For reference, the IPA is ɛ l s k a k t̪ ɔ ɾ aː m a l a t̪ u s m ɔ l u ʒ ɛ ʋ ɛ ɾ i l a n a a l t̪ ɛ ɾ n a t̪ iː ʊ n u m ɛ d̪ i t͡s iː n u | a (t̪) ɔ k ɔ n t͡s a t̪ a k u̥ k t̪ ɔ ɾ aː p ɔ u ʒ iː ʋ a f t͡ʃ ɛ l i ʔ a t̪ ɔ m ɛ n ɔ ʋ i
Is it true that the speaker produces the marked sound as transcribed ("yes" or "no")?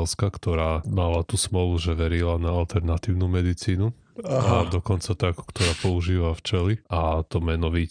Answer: no